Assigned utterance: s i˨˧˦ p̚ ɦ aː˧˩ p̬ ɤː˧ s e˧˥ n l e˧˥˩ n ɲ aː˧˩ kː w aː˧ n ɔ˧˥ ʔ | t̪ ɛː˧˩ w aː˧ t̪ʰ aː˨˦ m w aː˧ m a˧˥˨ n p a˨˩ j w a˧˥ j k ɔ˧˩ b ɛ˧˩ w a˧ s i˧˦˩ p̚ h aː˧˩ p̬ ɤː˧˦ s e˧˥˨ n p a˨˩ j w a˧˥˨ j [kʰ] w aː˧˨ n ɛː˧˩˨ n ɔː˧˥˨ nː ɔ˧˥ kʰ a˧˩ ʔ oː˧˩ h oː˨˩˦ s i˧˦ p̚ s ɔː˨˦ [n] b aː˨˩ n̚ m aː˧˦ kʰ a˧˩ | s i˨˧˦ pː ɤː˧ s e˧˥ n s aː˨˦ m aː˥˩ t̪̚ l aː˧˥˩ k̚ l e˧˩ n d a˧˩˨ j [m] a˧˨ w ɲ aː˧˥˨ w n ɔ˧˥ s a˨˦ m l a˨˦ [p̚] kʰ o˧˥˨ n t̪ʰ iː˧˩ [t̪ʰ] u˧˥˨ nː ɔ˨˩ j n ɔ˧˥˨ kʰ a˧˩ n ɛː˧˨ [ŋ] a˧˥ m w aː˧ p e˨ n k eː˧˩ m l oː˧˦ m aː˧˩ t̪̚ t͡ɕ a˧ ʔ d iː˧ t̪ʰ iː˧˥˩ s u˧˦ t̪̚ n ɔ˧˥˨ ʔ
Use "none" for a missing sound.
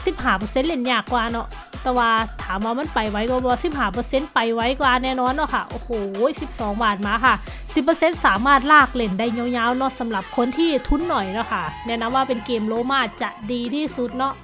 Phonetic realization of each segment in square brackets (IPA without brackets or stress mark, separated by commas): k, ŋ, ɲ, p̚, t̪ʰ, n